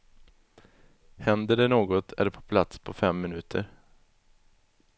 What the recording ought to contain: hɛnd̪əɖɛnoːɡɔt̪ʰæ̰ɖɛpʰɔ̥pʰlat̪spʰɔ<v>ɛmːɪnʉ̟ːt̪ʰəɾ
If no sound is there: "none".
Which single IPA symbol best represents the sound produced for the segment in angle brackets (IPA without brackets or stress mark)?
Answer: f